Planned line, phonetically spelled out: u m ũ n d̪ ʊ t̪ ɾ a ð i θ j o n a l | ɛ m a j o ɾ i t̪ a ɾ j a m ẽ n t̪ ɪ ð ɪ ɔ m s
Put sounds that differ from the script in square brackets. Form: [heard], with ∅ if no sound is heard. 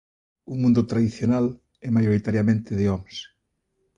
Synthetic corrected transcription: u m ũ n d̪ ʊ t̪ ɾ a ð i θ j o n a l | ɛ m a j o ɾ i t̪ a ɾ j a m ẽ n t̪ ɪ ð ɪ ɔ m s